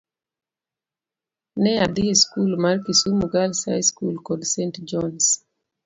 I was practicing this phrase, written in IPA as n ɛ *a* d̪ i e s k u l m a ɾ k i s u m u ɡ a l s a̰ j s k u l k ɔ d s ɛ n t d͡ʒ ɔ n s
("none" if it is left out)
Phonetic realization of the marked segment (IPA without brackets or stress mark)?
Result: a